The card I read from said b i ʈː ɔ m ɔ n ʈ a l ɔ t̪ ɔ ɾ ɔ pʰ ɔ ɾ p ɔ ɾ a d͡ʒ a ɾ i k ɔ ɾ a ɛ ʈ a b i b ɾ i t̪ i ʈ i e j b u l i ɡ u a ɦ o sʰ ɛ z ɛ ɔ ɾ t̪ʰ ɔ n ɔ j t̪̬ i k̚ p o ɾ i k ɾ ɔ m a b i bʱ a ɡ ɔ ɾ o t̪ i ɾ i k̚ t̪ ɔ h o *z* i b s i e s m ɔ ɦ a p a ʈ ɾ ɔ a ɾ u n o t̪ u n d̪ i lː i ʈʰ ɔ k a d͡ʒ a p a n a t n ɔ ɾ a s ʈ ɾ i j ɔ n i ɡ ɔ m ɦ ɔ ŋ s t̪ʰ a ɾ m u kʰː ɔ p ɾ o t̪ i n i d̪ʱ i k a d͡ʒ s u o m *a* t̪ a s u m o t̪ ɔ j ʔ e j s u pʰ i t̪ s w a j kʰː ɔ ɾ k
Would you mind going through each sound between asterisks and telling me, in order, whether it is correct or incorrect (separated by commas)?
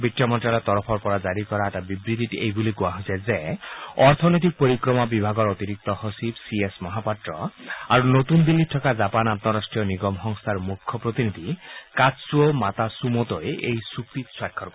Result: incorrect, correct